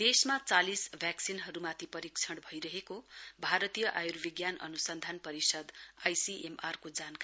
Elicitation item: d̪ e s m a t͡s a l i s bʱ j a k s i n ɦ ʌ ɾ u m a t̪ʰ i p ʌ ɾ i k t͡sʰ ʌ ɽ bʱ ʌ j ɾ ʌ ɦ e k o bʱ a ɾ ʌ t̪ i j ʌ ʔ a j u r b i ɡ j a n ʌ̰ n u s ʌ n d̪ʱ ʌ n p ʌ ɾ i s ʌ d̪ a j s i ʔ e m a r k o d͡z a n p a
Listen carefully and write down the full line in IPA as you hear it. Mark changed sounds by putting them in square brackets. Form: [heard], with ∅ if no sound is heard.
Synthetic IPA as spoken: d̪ e s m a t͡s a l i s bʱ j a k s i n ɦ ʌ ɾ u m a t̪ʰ i p ʌ ɾ i k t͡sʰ ʌ ɽ bʱ ʌ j ɾ ʌ ɦ e k o bʱ a ɾ ʌ t̪ i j ʌ ʔ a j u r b i ɡ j a n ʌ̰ n u s ʌ n d̪ʱ [a] n p ʌ ɾ i s ʌ d̪ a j s i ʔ e m a r k o d͡z a n [k] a